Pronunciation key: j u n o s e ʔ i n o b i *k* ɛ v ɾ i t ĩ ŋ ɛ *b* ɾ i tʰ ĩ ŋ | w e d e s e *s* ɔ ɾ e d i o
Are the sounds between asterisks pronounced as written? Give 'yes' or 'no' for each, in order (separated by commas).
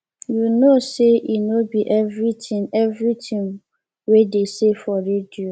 no, no, no